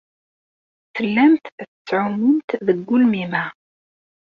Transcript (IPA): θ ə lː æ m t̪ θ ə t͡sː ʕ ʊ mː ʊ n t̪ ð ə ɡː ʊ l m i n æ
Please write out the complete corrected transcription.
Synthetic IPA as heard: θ ə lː æ m t̪ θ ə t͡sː ʕ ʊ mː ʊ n t̪ ð ə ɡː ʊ l m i m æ